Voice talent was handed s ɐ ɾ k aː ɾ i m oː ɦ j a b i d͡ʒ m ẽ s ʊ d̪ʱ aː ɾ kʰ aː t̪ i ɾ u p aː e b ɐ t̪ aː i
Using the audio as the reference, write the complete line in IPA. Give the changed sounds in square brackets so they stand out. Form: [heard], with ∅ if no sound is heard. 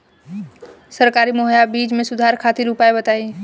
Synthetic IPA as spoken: s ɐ ɾ k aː ɾ i m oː ɦ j a b [iː] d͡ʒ m ẽ s ʊ d̪ʱ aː ɾ kʰ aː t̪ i ɾ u p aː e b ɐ t̪ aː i

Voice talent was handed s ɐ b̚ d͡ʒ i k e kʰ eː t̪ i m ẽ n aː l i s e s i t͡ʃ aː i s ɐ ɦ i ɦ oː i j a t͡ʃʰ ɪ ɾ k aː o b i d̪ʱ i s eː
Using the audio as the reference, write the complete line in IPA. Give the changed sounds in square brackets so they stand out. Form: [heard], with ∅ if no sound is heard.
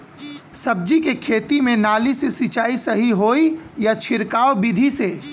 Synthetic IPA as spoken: s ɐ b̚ d͡ʒ i k e kʰ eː t̪ i m ẽ n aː l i s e s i t͡ʃ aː i s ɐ ɦ i ɦ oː i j a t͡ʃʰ ɪ ɾ k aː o b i d̪ʱ i s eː

